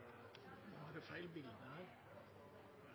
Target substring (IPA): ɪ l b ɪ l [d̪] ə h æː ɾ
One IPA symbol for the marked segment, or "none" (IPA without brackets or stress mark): d̪